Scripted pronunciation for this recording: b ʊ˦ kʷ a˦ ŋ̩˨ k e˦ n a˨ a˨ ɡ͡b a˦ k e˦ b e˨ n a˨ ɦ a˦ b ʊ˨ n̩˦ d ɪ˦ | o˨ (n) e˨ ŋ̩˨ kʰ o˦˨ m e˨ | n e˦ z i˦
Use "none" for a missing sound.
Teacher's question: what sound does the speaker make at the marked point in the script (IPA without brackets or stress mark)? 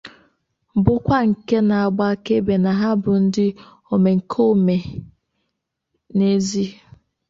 m